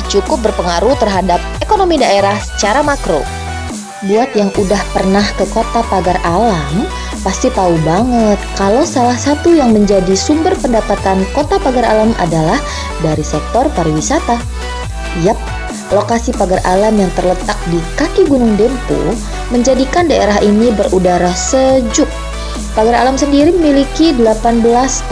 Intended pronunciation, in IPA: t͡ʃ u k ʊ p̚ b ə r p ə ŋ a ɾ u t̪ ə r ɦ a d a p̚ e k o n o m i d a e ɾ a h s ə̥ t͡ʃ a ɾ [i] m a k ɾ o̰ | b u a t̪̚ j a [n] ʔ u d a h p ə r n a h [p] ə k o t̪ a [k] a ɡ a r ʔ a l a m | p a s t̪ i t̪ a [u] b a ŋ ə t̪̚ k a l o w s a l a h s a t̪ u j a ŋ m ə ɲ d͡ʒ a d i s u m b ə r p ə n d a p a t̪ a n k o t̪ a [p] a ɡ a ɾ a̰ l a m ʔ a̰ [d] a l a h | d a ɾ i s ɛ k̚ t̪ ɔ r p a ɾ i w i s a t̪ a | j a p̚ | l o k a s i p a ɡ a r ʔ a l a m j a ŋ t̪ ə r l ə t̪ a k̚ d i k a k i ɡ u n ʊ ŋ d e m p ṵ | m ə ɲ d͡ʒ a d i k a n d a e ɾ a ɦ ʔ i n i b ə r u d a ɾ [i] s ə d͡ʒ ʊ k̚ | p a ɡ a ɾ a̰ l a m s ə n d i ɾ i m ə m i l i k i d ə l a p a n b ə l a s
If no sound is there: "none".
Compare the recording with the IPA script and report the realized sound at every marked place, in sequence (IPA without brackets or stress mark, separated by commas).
a, ŋ, k, p, u, p, d, a